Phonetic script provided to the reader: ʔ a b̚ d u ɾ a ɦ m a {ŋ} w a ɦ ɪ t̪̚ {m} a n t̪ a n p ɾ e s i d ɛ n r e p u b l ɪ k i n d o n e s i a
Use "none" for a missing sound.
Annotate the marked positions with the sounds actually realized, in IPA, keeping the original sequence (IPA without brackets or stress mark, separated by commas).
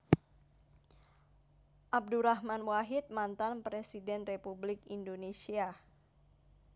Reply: n, m